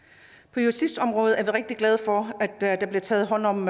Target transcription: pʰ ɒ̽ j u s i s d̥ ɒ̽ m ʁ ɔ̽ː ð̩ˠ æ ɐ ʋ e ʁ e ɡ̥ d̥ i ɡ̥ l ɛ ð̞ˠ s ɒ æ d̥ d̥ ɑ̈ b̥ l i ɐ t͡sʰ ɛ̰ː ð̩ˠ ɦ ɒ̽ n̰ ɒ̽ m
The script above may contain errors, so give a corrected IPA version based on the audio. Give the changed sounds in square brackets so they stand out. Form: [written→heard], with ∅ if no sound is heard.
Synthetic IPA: pʰ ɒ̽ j u s i s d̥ ɒ̽ m ʁ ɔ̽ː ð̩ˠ æ ɐ ʋ [e→i] ʁ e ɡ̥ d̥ i ɡ̥ l ɛ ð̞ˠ [s→f] ɒ æ d̥ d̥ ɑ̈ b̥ l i ɐ t͡sʰ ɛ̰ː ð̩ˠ ɦ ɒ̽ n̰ ɒ̽ m